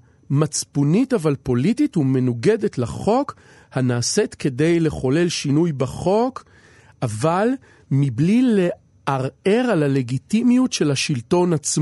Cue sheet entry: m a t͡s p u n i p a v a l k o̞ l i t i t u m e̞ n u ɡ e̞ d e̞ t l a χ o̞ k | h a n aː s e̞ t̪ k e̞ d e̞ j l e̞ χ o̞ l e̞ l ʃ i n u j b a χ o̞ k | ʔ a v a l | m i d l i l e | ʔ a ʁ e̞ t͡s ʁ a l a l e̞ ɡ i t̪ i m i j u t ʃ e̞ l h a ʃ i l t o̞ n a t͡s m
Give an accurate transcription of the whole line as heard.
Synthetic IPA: m a t͡s p u n i t a v a l p o̞ l i t i t u m e̞ n u ɡ e̞ d e̞ t l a χ o̞ k | h a n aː s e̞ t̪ k e̞ d e̞ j l e̞ χ o̞ l e̞ l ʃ i n u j b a χ o̞ k | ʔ a v a l | m i b l i l e | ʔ a ʁ e̞ ʁ a l a l e̞ ɡ i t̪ i m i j u t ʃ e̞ l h a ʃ i l t o̞ n a t͡s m